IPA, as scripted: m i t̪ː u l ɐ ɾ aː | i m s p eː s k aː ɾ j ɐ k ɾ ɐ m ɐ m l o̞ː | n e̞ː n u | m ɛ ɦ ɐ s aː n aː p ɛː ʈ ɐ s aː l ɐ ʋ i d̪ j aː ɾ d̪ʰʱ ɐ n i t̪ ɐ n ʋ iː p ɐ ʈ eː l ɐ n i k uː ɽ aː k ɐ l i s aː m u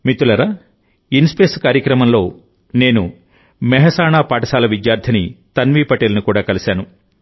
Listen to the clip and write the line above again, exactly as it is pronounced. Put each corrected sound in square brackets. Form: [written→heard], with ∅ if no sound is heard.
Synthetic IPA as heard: m i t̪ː u l ɐ ɾ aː | i [m→n] s p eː s k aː ɾ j ɐ k ɾ ɐ m ɐ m l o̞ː | n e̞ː n u | m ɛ ɦ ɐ s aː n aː p [ɛː→aː] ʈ ɐ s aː l ɐ ʋ i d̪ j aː ɾ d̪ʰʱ ɐ n i t̪ ɐ n ʋ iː p ɐ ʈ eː l ɐ n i k uː ɽ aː k ɐ l i s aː [m→n] u

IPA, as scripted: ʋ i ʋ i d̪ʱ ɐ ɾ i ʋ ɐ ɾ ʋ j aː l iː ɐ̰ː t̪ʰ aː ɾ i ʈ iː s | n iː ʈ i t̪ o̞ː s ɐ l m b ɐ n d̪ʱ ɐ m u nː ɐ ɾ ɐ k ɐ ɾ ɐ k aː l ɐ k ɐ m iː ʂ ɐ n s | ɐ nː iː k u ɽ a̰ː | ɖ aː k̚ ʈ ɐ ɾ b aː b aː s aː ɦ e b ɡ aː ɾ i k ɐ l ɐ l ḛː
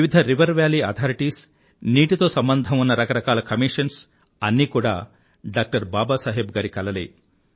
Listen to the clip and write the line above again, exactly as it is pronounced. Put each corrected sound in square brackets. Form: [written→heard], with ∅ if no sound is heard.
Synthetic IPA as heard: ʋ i ʋ i d̪ʱ ɐ ɾ i ʋ ɐ ɾ ʋ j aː l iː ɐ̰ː t̪ʰ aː ɾ i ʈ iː s | n iː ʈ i t̪ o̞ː s ɐ [l→∅] m b ɐ n d̪ʱ ɐ m u nː ɐ ɾ ɐ k ɐ ɾ ɐ k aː l ɐ k ɐ m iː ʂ ɐ n s | ɐ nː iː k [u→uː] ɽ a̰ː | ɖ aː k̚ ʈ ɐ ɾ b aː b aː s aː ɦ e b ɡ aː ɾ i k ɐ l ɐ l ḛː

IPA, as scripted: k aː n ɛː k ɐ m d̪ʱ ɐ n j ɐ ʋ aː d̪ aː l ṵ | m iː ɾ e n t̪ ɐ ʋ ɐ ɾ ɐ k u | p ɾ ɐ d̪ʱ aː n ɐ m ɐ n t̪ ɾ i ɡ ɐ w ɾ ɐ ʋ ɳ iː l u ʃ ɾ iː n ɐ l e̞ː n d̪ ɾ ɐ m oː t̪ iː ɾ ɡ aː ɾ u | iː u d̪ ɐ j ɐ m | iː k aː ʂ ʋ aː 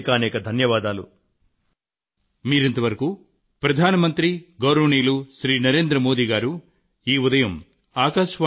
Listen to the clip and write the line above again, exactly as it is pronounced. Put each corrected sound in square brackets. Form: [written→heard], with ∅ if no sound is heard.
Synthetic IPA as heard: k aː n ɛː k ɐ [m→∅] d̪ʱ ɐ n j ɐ ʋ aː d̪ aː l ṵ | m iː ɾ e n t̪ ɐ ʋ ɐ ɾ ɐ k u | p ɾ ɐ d̪ʱ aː n ɐ m ɐ n t̪ ɾ i ɡ ɐ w ɾ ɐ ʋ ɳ iː l u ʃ ɾ iː n ɐ [l→ɾ] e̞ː n d̪ ɾ ɐ m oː [t̪→d̪] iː [ɾ→∅] ɡ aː ɾ u | iː u d̪ ɐ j ɐ m | [iː→aː] k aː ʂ ʋ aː

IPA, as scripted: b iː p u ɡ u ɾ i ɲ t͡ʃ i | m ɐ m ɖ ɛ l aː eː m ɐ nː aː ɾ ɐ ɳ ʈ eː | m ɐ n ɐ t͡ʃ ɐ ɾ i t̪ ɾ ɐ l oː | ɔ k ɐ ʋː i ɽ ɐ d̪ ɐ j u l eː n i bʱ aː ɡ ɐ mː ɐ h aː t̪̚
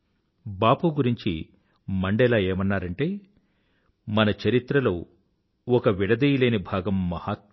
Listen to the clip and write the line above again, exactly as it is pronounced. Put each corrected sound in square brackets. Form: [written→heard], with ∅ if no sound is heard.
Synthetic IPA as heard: b [iː→aː] p u ɡ u ɾ i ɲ t͡ʃ i | m ɐ [m→ɳ] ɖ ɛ l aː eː m ɐ nː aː ɾ ɐ ɳ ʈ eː | m ɐ n ɐ t͡ʃ ɐ ɾ i t̪ ɾ ɐ l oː | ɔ k ɐ [ʋː→ʋ] i ɽ ɐ d̪ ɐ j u l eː n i bʱ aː ɡ ɐ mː ɐ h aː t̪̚

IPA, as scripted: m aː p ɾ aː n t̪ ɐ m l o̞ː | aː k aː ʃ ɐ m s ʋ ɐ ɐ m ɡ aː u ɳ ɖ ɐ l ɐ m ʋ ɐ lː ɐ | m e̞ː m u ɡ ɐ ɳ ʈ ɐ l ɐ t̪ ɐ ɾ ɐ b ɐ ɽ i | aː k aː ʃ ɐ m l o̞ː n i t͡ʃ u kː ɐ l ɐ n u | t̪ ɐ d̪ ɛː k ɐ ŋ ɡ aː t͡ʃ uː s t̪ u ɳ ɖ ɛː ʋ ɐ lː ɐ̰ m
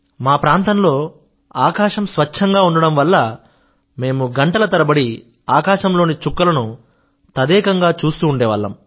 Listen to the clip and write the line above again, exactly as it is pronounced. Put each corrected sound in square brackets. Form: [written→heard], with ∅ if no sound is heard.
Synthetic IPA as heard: m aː p ɾ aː n t̪ ɐ m l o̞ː | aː k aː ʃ ɐ m s ʋ ɐ ɐ [m→ŋ] ɡ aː u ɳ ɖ ɐ [l→ɽ] ɐ m ʋ ɐ lː ɐ | m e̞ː m u ɡ ɐ ɳ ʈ ɐ l ɐ t̪ ɐ ɾ ɐ b ɐ ɽ i | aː k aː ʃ ɐ m l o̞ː n i t͡ʃ u kː ɐ l ɐ n u | t̪ ɐ d̪ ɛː k ɐ ŋ ɡ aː t͡ʃ uː s t̪ [u→uː] ɳ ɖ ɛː ʋ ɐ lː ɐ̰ m

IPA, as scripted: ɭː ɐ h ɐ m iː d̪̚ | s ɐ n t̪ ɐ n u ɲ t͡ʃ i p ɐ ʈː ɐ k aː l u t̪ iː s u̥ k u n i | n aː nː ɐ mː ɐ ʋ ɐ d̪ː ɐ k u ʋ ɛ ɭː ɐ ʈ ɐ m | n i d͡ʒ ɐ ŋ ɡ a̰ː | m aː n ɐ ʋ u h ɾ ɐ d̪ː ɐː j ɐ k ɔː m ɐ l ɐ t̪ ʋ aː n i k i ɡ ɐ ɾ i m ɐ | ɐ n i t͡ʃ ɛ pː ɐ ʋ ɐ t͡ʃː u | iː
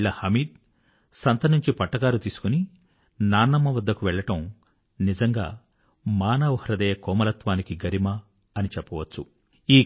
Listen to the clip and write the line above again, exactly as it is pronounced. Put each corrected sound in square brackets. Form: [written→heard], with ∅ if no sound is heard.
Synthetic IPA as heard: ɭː ɐ h ɐ m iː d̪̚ | s ɐ n t̪ ɐ n u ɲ t͡ʃ i p ɐ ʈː ɐ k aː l u t̪ iː s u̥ k u n i | n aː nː ɐ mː ɐ ʋ ɐ d̪ː ɐ k u ʋ ɛ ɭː ɐ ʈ ɐ m | n i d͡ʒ ɐ ŋ ɡ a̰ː | m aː n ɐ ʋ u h ɾ ɐ [d̪ː→d̪] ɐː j ɐ k ɔː m ɐ l ɐ t̪ ʋ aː n i k i ɡ ɐ ɾ i m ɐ | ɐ n i t͡ʃ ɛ pː ɐ ʋ ɐ t͡ʃː u | iː

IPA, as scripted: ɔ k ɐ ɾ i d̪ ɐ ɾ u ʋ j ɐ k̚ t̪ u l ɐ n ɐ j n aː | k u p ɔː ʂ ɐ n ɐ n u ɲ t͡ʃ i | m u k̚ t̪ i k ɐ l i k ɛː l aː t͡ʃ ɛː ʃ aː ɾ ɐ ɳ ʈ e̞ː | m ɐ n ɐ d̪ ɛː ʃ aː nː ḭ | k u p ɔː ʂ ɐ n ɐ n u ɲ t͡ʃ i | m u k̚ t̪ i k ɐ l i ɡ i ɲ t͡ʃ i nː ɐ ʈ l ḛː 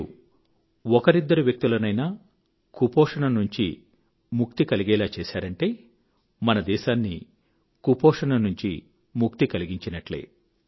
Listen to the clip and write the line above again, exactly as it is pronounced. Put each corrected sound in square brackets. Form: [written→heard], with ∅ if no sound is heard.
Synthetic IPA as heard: ɔ k ɐ ɾ i [d̪→d̪ː] ɐ ɾ u ʋ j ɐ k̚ t̪ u l ɐ n ɐ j n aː | k u p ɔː ʂ ɐ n ɐ n u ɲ t͡ʃ i | m u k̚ t̪ i k ɐ l i [k→ɡ] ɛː l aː t͡ʃ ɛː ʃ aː ɾ ɐ ɳ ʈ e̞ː | m ɐ n ɐ d̪ ɛː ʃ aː nː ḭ | k u p ɔː ʂ ɐ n ɐ n u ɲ t͡ʃ i | m u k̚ t̪ i k ɐ l i ɡ i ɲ t͡ʃ i [nː→n] ɐ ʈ l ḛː

